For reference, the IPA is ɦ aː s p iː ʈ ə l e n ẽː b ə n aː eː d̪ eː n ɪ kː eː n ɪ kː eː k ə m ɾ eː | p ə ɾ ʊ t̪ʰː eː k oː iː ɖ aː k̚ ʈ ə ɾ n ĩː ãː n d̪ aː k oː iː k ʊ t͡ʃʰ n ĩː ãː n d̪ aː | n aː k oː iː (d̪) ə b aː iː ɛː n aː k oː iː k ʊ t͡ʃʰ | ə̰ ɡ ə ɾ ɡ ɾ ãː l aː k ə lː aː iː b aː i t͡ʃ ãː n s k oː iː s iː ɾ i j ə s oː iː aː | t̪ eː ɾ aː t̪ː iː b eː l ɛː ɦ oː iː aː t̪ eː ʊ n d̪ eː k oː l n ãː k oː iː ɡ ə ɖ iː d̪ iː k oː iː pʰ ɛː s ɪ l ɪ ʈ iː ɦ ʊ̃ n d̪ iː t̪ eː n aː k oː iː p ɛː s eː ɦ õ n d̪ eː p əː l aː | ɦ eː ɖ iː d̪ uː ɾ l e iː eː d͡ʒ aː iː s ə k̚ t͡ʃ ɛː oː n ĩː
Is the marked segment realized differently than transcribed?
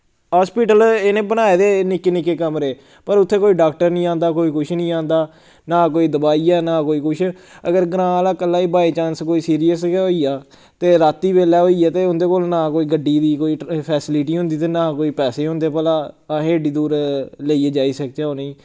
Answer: no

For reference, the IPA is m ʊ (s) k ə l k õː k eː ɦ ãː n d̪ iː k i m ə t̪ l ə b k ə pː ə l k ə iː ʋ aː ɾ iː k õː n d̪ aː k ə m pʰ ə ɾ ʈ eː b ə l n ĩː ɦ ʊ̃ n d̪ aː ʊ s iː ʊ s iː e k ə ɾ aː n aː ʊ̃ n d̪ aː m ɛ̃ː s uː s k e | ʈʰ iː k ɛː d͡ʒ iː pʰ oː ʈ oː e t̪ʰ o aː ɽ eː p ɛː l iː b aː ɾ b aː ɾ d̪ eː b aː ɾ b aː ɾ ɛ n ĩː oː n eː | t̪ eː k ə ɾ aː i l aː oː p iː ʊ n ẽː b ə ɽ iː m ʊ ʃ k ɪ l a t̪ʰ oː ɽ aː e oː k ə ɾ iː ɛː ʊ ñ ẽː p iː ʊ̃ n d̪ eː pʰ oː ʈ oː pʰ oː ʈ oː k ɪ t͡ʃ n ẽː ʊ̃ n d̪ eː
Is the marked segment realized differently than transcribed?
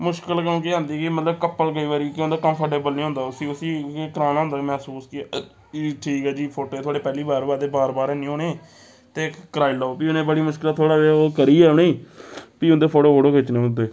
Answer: yes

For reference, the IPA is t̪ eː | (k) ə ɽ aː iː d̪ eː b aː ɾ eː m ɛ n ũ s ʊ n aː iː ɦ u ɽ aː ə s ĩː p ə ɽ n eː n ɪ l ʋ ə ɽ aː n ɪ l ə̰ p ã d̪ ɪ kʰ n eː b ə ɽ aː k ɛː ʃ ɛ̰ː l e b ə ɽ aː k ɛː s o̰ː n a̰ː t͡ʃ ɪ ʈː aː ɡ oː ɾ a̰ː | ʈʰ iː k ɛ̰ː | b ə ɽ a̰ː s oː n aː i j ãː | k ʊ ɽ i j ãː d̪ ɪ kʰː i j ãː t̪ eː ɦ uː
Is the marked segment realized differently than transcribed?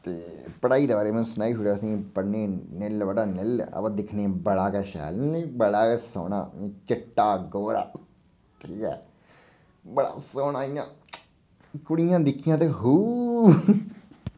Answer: yes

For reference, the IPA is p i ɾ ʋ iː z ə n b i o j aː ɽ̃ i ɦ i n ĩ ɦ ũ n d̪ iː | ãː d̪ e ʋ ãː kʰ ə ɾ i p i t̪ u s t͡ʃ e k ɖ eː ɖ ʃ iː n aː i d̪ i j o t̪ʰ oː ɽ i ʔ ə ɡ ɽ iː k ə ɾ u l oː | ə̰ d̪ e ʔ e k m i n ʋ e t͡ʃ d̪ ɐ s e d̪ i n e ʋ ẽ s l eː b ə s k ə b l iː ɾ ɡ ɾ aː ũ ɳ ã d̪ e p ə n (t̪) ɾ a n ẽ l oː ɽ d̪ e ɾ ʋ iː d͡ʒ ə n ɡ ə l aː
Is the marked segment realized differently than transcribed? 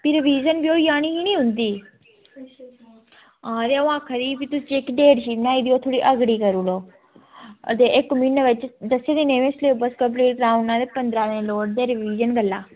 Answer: yes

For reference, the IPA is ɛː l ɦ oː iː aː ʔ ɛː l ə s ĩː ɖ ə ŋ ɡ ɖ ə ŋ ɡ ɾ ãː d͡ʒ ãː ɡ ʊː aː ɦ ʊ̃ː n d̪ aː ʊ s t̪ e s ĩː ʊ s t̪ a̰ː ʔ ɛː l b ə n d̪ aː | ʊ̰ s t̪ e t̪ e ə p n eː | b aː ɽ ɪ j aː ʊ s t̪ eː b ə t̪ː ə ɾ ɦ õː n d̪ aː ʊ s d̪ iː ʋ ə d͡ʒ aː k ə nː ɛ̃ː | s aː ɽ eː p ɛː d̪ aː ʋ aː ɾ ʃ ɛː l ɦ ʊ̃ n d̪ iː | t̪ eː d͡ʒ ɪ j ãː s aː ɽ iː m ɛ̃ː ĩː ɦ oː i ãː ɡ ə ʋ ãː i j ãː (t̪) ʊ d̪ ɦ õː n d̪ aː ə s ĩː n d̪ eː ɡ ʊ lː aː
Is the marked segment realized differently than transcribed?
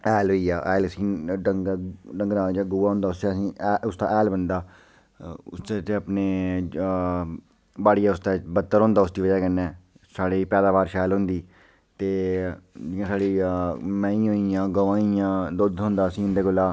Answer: yes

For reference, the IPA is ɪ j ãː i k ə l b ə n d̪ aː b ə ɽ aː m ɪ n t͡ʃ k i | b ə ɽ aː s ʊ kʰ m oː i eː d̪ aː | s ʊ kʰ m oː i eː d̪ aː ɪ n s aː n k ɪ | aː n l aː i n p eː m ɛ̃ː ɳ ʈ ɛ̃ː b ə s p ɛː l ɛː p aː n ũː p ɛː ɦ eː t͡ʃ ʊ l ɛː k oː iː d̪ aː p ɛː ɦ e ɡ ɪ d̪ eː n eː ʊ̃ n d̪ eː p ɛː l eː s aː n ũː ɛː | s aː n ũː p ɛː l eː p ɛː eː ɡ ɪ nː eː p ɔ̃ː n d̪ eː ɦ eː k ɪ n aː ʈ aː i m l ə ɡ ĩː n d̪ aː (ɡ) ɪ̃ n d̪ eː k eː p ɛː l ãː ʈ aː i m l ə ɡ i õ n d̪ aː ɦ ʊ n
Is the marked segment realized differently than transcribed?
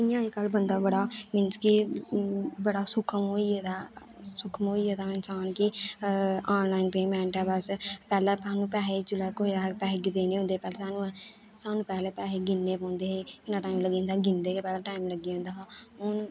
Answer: no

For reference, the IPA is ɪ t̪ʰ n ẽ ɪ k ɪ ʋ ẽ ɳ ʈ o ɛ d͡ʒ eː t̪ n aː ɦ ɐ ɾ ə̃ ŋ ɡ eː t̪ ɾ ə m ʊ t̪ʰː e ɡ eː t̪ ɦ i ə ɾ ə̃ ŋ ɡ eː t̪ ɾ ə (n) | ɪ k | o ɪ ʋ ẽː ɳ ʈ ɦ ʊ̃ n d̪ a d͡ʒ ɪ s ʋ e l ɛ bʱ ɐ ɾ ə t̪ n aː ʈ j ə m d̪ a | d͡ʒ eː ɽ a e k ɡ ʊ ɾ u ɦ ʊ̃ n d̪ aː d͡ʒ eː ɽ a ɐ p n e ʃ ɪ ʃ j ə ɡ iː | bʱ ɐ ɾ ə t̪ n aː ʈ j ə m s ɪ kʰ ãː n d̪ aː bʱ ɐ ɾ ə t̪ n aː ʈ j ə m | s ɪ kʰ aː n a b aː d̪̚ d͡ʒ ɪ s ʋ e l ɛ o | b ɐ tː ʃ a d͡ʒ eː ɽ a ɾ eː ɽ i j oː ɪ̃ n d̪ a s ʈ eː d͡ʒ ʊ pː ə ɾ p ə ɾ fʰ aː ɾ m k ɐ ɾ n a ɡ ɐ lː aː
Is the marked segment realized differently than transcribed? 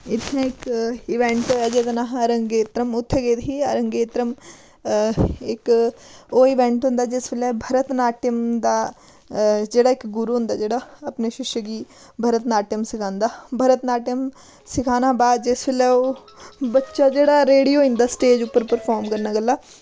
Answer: yes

